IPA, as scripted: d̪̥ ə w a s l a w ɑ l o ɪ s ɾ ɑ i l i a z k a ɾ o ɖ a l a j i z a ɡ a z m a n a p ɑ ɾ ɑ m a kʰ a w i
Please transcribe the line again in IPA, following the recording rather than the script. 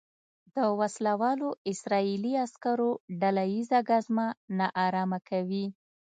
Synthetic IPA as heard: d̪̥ ə w a s l a w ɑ l o ɪ s ɾ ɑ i l i a s k a ɾ o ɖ a l a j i z a ɡ a z m a n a ʔ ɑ ɾ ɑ m a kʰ a w i